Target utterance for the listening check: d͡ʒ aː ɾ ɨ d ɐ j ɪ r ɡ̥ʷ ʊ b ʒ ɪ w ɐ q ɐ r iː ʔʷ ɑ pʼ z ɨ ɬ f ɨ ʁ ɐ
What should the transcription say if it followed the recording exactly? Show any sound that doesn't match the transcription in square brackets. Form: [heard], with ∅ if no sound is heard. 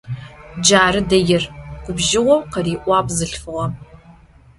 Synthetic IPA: d͡ʒ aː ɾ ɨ d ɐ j ɪ r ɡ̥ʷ ʊ b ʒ ɪ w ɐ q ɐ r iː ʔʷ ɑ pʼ z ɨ ɬ f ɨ ʁ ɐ